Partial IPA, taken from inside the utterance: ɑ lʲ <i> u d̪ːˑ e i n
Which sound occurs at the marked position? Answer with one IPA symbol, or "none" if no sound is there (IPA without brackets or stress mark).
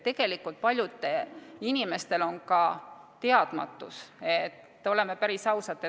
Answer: j